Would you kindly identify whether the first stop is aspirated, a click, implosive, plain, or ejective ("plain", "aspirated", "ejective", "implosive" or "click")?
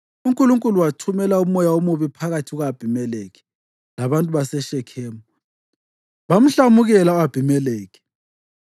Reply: ejective